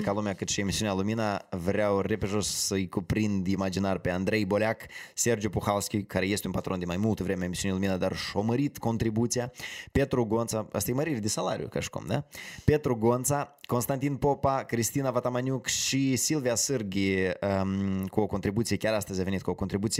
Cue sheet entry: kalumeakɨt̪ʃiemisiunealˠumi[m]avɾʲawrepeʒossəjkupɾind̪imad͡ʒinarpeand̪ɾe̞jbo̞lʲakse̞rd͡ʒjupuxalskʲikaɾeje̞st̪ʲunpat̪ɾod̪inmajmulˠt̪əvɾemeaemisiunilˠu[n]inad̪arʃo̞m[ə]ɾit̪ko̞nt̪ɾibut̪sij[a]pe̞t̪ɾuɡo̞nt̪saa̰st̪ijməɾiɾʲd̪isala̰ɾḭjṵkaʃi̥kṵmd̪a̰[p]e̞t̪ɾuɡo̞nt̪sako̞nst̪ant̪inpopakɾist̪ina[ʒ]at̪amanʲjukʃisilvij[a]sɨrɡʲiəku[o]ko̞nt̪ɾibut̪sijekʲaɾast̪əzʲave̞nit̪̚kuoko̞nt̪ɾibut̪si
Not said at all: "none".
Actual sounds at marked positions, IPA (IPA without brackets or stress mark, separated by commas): n, m, ə, a, p, v, a, o